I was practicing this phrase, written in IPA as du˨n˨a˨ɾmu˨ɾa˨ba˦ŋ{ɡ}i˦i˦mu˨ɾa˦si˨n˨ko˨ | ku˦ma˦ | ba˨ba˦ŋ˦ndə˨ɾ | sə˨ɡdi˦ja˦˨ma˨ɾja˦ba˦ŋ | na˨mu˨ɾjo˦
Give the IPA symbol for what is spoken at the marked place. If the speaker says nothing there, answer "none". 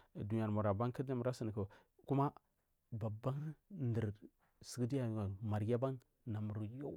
k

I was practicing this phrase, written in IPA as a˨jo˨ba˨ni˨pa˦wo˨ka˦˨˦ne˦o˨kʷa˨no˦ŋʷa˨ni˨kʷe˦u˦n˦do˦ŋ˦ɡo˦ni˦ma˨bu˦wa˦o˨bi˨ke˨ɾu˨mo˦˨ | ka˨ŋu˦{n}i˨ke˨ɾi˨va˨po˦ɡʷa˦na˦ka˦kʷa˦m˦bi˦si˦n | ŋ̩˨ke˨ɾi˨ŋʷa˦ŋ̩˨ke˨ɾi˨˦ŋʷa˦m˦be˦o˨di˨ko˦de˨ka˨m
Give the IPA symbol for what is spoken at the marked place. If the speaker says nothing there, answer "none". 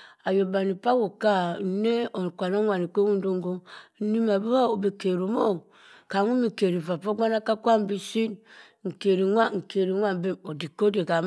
m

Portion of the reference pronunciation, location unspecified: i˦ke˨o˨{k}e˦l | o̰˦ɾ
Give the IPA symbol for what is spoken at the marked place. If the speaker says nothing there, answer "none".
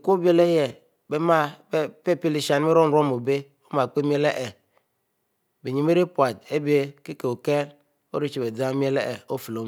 k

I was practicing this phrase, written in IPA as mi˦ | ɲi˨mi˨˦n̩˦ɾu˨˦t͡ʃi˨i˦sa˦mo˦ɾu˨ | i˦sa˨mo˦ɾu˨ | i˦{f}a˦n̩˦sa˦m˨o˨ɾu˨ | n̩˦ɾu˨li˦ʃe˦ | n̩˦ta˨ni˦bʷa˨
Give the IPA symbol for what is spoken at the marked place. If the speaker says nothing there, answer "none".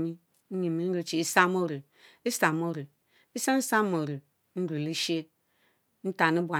s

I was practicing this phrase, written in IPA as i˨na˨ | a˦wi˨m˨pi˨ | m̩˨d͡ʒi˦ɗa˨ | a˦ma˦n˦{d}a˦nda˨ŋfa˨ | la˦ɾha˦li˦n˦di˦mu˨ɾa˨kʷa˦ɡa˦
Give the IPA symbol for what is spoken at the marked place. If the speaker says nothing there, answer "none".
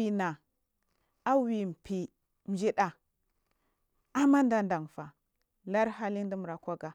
d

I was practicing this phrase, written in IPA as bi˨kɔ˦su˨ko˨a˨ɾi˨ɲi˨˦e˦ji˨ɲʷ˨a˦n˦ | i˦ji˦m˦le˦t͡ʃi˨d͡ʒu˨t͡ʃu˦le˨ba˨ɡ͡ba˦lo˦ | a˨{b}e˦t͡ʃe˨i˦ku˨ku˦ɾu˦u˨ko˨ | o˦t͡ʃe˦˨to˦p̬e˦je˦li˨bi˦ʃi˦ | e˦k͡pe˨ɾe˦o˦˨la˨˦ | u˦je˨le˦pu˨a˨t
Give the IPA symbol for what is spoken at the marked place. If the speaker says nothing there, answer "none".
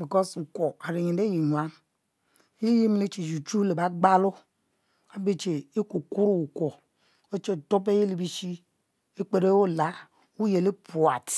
b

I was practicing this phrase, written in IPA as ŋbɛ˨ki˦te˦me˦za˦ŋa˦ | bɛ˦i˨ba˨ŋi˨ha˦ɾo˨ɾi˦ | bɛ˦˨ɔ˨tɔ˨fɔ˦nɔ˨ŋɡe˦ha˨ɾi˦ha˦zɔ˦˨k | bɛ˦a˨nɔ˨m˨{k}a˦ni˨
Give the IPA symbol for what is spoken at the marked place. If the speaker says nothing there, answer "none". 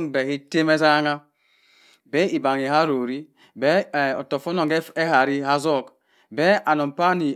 p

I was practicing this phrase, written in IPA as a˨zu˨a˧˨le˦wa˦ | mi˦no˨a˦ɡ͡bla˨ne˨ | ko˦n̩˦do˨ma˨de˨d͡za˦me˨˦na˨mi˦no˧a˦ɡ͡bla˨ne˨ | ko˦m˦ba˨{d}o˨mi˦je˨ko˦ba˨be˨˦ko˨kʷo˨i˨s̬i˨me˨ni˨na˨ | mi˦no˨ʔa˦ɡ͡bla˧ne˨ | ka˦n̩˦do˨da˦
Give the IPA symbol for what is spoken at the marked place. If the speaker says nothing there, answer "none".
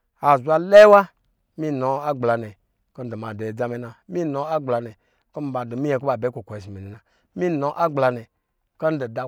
d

